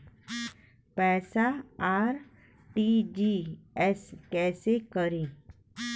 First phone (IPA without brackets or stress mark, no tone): p